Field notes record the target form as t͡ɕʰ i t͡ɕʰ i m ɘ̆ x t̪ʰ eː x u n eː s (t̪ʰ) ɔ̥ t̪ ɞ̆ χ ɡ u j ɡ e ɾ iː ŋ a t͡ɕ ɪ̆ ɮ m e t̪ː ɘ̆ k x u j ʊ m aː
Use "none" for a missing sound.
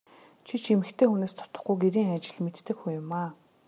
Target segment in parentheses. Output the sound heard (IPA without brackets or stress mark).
t̪ʰ